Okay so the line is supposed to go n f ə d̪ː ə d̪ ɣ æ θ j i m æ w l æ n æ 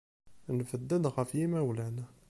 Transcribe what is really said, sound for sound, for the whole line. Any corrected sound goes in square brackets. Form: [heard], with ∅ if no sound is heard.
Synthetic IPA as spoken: n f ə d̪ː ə d̪ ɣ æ [f] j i m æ w l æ n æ